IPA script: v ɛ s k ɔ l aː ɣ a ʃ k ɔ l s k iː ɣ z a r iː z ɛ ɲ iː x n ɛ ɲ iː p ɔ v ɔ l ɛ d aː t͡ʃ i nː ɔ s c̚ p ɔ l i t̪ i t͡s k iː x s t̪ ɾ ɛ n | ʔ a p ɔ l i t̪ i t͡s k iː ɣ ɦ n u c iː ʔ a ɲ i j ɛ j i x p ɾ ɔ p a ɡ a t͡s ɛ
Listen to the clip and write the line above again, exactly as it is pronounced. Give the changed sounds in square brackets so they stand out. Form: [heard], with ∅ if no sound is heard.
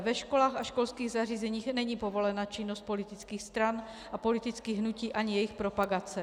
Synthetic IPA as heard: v ɛ [ʃ] k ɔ l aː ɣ a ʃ k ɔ l s k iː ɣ z a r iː z ɛ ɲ iː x n ɛ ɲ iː p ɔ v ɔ l ɛ [n] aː t͡ʃ i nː ɔ s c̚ p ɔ l i t̪ i t͡s k iː x s t̪ ɾ [a] n | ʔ a p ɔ l i t̪ i t͡s k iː ɣ ɦ n u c iː ʔ a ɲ i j ɛ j i x p ɾ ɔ p a ɡ a t͡s ɛ